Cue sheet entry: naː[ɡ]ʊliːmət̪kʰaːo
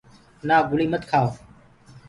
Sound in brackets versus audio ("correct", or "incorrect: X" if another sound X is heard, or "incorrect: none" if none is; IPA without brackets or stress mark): correct